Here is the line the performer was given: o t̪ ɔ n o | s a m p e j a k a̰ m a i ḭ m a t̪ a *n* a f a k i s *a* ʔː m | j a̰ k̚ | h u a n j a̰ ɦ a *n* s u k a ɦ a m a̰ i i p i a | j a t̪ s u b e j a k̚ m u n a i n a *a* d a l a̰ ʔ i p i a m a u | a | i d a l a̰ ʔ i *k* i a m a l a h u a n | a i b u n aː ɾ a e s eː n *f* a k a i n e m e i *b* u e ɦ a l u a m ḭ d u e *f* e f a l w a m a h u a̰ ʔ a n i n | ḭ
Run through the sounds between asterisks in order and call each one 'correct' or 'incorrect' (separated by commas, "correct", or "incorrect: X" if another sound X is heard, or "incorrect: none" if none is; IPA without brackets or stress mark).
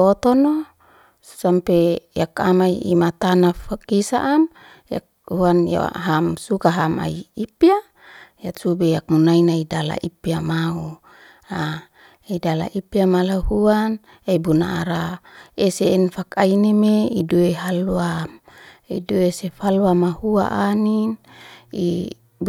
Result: correct, correct, incorrect: m, incorrect: i, incorrect: p, correct, incorrect: d, incorrect: s